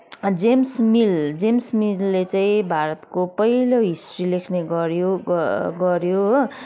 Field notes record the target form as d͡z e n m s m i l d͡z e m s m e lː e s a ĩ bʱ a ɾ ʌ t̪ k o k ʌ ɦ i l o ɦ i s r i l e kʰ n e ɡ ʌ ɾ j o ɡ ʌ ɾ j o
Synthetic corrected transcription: d͡z e m s m i l d͡z e m s m i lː e t͡s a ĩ bʱ a ɾ ʌ t̪ k o p ʌ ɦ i l o ɦ i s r i l e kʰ n e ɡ ʌ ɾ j o ɡ ʌ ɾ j o